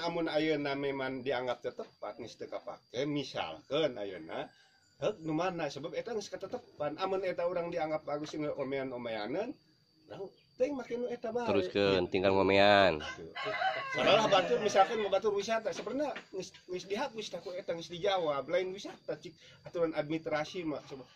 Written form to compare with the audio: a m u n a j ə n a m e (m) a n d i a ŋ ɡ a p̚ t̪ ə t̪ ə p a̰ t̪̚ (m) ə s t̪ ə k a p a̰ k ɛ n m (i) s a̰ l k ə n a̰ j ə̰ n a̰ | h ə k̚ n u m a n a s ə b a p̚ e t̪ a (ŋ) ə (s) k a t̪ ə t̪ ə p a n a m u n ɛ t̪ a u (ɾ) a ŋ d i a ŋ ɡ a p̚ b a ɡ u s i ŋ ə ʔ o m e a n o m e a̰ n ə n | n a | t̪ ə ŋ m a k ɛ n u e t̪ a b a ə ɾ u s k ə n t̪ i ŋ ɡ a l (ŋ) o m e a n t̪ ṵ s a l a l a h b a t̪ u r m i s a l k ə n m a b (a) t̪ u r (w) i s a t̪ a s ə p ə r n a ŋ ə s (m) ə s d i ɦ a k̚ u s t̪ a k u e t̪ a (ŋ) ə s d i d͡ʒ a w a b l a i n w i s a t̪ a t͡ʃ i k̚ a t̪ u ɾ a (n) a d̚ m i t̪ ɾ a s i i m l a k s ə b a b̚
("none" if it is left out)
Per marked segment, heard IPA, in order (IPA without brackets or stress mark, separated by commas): m, ŋ, i, ŋ, s, ɾ, ŋ, a, w, ŋ, ŋ, n